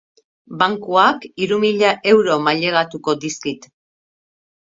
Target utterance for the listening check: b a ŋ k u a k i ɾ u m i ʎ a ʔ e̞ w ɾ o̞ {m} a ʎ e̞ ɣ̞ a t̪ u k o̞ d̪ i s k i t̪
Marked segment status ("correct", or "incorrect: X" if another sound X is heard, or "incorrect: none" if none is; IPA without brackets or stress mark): correct